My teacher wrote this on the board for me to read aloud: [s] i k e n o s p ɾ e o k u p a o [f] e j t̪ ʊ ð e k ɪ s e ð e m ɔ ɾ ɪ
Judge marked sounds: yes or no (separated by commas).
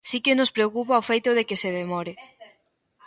yes, yes